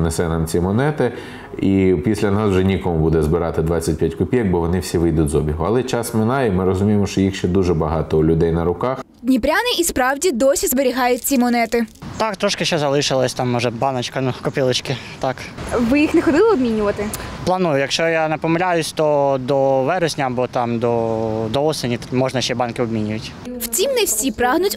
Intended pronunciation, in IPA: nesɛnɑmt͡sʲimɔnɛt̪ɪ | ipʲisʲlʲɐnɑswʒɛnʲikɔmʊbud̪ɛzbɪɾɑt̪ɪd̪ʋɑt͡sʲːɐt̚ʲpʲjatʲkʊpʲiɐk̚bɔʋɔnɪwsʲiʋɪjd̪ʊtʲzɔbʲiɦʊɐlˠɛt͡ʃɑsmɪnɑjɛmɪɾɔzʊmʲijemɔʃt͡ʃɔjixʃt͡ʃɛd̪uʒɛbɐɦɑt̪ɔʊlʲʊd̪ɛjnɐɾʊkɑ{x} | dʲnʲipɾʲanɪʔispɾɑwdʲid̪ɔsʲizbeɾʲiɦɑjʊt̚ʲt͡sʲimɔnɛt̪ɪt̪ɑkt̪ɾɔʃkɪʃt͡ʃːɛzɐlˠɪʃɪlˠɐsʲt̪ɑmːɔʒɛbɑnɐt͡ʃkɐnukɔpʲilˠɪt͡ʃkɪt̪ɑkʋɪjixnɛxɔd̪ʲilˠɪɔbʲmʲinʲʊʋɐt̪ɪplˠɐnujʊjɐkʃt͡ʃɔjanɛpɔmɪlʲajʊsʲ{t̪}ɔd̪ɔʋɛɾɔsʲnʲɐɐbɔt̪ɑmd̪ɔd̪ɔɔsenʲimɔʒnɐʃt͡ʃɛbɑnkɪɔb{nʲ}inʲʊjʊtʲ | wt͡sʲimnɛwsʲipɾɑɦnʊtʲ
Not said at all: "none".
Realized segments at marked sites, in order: x, t̪, mʲ

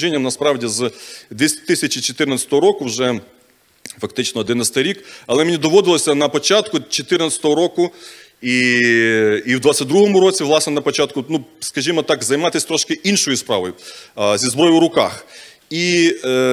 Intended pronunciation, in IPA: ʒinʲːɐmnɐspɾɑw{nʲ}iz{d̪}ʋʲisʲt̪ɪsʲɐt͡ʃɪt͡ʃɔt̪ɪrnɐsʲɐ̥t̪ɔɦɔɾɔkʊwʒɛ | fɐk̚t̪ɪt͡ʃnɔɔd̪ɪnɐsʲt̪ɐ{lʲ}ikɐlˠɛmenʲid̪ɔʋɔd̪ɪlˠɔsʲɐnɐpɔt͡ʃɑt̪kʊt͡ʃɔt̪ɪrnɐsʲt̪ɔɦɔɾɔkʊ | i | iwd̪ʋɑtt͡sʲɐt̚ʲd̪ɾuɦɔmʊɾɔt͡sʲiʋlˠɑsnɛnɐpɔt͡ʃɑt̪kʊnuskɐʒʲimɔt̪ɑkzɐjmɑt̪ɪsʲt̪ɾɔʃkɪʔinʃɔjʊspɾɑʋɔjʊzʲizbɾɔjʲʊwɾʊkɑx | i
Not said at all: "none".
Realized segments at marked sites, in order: dʲ, d̪, ɾʲ

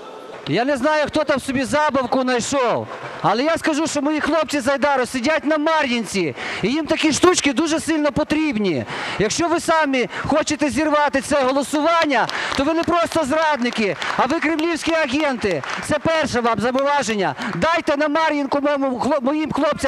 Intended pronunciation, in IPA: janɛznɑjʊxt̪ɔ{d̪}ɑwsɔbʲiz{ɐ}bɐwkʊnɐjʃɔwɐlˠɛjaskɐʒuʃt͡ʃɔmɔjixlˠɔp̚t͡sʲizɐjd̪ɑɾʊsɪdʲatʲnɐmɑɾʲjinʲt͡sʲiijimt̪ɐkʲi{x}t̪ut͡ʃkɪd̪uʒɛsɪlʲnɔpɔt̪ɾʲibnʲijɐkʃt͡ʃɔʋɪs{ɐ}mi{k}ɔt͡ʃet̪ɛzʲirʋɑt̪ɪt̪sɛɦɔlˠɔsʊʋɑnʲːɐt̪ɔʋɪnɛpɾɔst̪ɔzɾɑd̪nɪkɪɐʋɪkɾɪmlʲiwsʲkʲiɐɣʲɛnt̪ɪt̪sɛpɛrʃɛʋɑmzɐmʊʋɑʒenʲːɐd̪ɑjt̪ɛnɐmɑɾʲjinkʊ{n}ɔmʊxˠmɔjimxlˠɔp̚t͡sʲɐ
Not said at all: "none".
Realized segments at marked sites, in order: t̪, ɑ, ʃ, ɑ, x, m

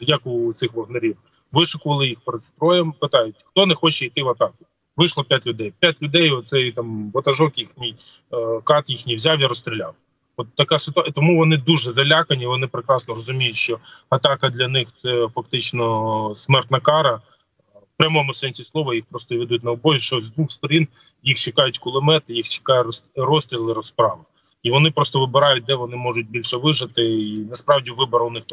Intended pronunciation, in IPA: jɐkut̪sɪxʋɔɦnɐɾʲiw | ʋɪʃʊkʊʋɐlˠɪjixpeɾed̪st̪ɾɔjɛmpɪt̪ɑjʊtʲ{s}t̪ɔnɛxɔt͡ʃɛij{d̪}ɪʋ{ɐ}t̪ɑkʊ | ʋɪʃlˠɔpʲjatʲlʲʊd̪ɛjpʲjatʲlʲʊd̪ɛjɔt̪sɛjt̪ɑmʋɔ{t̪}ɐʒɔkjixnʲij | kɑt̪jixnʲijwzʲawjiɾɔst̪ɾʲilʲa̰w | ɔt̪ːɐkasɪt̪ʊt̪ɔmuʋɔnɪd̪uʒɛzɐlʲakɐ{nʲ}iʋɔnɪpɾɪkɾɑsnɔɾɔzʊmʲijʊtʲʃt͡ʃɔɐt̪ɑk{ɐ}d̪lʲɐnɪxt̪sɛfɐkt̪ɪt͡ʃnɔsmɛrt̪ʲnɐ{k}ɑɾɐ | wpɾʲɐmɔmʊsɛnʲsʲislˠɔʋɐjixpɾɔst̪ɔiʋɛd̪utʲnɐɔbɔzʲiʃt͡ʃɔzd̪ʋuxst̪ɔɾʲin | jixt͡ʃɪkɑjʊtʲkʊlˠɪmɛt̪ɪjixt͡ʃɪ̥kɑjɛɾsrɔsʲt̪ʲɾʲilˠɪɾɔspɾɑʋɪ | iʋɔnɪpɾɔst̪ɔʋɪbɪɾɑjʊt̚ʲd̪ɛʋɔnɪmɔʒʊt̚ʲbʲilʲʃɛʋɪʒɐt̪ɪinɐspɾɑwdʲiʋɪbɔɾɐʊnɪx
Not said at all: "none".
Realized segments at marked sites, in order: x, t̪, ɐ, t̪, nʲ, ɐ, k

